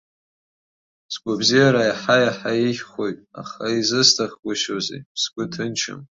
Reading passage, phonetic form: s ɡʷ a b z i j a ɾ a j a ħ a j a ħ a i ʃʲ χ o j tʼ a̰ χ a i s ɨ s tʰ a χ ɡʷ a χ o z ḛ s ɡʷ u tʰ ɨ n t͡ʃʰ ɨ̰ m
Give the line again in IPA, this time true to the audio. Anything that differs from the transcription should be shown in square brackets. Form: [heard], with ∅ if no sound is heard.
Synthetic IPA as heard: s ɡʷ a b z i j a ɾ a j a ħ a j a ħ a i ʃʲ χ o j tʼ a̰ χ a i [z] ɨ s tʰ a χ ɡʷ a [ʃ] o z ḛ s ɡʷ [ʊ] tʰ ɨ n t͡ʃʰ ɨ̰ m